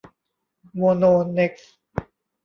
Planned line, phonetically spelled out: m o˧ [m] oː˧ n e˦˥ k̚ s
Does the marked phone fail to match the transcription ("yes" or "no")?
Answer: yes